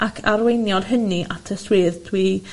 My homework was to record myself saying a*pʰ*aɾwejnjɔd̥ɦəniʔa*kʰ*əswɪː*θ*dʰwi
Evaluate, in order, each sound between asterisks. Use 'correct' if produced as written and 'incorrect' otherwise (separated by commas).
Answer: incorrect, incorrect, incorrect